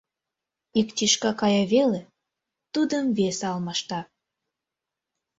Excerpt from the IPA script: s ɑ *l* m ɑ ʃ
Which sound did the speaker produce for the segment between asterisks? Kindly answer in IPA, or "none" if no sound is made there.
l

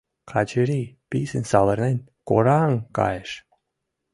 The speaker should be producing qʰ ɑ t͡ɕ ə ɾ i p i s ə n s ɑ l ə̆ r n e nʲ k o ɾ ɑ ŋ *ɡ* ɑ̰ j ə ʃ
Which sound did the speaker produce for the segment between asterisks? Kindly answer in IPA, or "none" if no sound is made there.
k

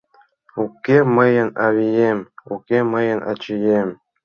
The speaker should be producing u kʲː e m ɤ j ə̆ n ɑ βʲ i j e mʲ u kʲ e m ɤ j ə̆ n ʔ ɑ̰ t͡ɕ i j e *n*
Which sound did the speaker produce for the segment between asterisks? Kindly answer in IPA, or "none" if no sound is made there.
m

